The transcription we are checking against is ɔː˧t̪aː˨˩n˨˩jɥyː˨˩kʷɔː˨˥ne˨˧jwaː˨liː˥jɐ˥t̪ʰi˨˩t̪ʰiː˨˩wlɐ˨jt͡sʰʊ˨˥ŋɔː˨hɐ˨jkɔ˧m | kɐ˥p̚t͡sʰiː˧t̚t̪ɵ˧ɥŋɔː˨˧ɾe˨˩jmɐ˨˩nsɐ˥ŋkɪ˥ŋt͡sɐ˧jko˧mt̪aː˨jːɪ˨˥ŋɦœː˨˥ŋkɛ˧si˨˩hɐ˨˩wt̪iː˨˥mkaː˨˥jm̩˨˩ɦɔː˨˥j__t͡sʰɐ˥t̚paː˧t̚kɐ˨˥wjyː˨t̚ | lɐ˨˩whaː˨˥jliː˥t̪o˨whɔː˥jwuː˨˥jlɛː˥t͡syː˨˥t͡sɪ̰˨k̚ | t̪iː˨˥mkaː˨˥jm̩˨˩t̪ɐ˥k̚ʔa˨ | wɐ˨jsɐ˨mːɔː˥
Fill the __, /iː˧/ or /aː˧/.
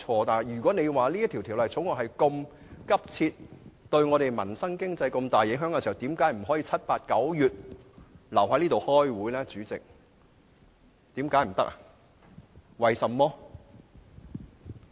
iː˧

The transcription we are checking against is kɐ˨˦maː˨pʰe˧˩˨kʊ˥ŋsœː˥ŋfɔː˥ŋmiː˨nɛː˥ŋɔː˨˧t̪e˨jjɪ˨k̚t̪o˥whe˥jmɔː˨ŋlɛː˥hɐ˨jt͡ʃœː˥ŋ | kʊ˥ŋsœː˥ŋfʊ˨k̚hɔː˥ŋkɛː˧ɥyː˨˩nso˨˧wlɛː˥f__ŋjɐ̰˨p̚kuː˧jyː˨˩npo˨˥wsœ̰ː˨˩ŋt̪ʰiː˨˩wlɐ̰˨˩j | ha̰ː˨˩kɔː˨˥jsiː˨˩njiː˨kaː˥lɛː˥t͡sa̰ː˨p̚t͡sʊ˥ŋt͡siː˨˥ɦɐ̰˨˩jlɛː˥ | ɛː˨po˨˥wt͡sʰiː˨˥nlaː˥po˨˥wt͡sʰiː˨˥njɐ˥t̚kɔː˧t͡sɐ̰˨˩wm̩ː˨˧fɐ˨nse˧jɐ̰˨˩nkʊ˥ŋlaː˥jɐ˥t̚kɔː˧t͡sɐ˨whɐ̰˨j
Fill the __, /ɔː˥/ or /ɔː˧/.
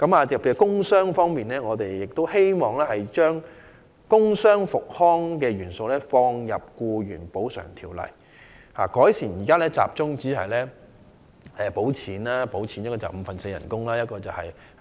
ɔː˧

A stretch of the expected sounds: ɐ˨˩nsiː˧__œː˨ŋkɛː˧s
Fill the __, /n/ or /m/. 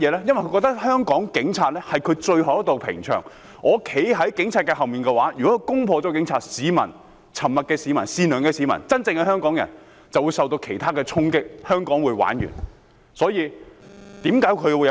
n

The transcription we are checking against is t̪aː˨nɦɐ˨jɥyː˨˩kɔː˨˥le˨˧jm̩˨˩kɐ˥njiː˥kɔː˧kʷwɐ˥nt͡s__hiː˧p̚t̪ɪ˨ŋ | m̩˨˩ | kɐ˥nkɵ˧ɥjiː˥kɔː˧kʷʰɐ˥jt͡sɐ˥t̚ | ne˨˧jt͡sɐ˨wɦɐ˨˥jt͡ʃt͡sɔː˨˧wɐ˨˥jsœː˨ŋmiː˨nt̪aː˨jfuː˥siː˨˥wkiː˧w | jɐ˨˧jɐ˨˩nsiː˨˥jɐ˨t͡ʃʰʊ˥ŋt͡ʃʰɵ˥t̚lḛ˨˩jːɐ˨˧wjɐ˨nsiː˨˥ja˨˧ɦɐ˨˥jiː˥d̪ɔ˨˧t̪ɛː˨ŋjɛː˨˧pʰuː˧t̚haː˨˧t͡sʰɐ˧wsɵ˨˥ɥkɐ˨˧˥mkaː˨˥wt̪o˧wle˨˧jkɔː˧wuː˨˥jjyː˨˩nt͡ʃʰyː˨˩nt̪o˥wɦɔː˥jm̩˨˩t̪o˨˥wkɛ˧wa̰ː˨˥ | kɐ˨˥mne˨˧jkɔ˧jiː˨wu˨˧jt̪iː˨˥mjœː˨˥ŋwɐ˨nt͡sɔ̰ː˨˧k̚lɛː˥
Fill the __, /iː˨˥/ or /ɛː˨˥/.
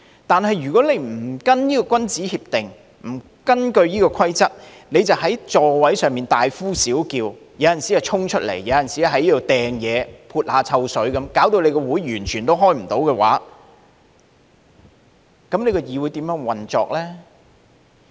iː˨˥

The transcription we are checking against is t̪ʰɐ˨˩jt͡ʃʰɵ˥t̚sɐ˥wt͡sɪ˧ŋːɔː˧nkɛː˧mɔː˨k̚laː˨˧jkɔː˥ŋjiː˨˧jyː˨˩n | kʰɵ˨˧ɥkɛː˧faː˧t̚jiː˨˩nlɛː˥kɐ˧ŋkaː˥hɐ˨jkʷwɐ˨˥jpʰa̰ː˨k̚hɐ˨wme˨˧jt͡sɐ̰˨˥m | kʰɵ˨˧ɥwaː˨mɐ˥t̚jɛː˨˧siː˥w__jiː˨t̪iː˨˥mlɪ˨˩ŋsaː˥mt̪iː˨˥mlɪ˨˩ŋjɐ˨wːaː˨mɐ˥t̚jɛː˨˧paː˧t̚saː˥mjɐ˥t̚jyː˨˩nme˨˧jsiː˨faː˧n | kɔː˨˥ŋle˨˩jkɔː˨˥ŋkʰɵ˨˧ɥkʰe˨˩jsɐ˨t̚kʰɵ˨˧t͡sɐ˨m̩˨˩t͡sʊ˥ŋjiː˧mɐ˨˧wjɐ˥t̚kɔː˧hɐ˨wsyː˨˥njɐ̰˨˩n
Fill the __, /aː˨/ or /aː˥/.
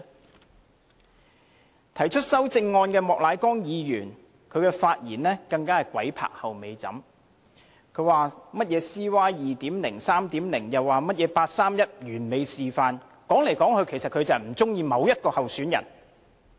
aː˥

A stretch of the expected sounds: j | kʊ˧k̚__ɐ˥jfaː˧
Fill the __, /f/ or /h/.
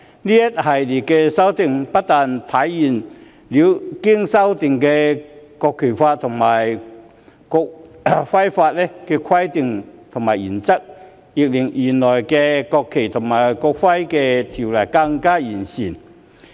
f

